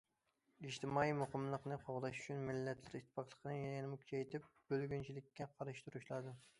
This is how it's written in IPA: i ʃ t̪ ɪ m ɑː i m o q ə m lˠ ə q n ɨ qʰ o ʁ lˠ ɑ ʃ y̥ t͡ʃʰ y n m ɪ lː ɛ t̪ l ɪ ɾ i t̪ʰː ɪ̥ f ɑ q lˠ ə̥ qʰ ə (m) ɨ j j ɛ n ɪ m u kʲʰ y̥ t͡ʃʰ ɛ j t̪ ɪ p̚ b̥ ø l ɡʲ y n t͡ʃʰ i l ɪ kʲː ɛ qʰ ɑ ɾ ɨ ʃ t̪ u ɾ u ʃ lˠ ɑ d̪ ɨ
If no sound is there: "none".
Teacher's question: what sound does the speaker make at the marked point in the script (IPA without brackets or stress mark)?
n